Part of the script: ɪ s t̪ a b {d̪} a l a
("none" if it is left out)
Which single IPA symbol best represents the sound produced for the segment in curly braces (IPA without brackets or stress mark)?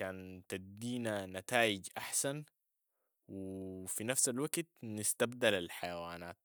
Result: d̪